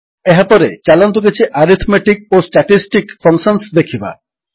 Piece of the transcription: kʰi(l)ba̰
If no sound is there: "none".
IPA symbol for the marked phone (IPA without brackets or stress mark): none